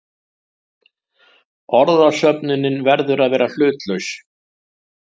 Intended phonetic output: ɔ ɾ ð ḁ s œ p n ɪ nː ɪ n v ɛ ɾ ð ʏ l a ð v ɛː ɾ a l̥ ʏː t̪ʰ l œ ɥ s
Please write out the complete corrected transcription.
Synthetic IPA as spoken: ɔ ɾ ð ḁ s œ p n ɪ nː ɪ n v ɛ ɾ ð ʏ ɾ a ð v ɛː ɾ a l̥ ʏː t̪ l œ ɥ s